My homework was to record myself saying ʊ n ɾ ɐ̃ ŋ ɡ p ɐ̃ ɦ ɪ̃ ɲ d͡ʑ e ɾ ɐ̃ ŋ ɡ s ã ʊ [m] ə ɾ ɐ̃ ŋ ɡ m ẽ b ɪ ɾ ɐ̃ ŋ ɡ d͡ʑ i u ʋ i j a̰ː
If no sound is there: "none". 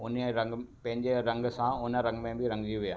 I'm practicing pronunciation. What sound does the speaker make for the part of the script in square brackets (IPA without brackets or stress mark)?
n